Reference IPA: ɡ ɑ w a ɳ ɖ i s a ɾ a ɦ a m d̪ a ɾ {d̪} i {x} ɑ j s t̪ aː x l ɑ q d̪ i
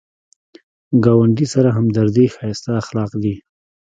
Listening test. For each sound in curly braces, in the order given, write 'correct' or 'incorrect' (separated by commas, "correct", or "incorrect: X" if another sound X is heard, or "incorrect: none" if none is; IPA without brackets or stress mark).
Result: correct, correct